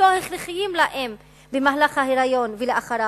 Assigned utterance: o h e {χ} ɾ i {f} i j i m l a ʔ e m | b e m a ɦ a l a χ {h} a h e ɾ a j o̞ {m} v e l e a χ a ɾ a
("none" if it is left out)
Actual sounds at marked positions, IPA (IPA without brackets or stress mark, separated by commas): χ, χ, h, n